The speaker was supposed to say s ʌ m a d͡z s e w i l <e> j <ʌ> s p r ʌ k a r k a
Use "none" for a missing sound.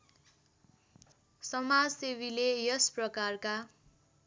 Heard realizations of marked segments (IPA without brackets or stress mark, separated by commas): e, ʌ